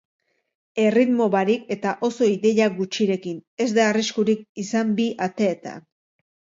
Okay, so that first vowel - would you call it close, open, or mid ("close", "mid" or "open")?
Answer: mid